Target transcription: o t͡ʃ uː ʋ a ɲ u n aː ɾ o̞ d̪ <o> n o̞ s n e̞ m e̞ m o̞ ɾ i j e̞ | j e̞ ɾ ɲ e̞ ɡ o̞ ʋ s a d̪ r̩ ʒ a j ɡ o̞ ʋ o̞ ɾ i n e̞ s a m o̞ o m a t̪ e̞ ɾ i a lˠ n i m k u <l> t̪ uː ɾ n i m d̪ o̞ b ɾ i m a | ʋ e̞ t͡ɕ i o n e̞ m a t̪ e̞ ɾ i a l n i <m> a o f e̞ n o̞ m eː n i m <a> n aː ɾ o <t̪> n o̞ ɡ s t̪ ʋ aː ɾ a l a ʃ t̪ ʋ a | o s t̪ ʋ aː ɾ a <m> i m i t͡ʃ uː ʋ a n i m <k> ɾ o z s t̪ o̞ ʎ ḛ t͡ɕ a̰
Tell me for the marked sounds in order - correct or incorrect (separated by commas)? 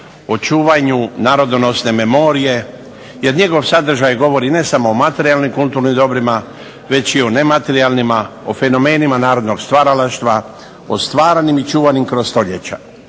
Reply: correct, correct, correct, correct, incorrect, incorrect, correct